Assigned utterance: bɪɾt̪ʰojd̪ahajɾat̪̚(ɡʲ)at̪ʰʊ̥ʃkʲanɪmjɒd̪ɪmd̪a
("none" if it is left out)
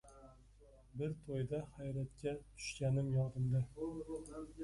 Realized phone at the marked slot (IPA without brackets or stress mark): kʲ